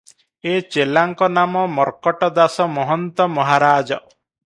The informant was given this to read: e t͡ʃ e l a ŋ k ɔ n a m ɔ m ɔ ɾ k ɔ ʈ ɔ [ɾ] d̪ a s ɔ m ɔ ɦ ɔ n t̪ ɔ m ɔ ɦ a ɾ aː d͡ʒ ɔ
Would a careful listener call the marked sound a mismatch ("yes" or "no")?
yes